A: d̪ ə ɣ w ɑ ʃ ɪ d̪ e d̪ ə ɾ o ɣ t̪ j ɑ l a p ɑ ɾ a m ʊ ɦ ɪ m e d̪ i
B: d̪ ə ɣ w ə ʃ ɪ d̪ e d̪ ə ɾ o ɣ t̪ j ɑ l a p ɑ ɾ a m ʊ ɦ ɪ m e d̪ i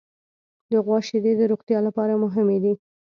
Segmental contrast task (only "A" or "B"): A